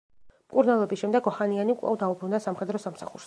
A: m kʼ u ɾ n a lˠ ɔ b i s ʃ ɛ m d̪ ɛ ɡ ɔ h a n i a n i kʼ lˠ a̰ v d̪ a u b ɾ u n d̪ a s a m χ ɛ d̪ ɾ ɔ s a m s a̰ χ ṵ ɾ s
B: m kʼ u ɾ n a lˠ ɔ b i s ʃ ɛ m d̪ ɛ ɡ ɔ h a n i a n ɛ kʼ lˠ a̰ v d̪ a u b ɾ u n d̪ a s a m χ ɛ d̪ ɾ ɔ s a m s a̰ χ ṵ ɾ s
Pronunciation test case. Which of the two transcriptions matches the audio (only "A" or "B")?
A